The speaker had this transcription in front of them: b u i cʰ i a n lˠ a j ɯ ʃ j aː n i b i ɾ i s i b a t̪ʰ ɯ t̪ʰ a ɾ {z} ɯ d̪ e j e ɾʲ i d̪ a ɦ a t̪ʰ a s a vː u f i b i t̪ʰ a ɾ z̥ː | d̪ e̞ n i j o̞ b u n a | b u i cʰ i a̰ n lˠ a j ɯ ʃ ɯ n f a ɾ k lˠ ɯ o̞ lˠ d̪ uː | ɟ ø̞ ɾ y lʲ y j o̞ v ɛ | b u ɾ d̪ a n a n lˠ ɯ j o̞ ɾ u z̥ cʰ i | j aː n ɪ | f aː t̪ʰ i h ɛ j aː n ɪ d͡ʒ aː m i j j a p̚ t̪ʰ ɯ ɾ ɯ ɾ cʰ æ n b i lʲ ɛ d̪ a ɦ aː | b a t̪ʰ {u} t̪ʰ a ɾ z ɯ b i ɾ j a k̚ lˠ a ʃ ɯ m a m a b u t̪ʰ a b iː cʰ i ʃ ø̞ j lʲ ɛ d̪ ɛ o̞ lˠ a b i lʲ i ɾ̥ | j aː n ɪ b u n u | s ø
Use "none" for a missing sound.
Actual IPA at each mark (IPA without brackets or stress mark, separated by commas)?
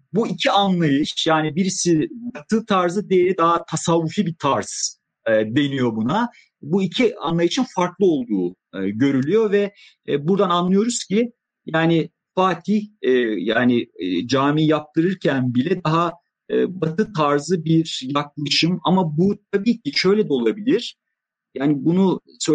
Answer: z, ɯ